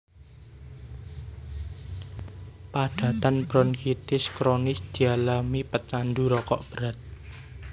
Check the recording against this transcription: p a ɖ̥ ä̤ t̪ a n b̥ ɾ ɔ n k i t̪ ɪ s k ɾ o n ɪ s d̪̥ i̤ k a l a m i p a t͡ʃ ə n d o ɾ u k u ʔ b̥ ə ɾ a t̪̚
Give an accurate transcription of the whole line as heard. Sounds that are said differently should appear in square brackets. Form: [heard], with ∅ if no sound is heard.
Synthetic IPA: p a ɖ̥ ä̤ t̪ a n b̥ ɾ ɔ n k i t̪ ɪ s k ɾ o n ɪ s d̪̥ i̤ [∅] a l a m i p [ə] t͡ʃ [a] n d [u] ɾ [ɔ] k [ɔ] ʔ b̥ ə ɾ a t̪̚